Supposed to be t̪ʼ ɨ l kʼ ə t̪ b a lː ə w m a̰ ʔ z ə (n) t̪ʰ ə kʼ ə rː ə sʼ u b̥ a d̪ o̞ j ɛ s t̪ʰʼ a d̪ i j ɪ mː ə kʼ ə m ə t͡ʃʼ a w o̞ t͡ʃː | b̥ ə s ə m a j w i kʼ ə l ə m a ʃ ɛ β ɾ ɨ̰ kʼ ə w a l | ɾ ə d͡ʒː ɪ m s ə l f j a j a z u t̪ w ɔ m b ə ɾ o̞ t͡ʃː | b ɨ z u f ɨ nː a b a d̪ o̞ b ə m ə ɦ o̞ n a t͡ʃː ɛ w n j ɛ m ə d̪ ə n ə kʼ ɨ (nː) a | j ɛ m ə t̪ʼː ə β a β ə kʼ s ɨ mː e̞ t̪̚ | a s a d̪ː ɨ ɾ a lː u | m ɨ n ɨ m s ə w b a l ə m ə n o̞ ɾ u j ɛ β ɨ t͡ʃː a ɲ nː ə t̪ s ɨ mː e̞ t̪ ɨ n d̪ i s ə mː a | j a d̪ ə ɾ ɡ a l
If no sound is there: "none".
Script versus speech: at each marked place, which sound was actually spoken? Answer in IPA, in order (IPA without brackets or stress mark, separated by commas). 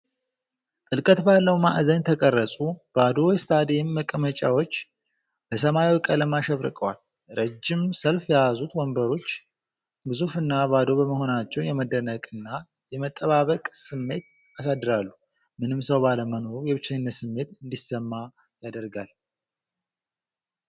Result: ɲ, nː